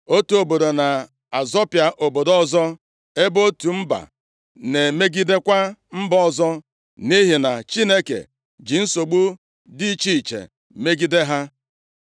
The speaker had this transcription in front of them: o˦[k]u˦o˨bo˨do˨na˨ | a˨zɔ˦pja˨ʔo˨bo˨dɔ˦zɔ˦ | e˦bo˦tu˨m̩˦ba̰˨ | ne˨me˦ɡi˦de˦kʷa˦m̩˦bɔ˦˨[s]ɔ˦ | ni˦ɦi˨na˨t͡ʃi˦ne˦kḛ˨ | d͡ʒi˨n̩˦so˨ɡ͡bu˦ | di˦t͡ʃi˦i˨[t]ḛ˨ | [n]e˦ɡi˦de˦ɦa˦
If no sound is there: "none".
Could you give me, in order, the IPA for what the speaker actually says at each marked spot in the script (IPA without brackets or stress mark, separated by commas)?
t, z, t͡ʃ, m